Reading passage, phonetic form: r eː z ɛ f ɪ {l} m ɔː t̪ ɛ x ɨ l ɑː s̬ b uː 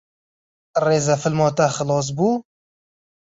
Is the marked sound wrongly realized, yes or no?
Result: no